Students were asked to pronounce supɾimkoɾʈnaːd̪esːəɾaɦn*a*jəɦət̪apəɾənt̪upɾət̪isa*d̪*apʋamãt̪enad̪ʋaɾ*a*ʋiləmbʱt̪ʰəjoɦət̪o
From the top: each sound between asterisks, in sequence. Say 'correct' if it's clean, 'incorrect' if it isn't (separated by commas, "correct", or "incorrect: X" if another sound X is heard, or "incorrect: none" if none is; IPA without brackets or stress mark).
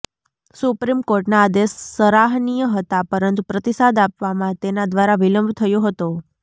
incorrect: i, correct, correct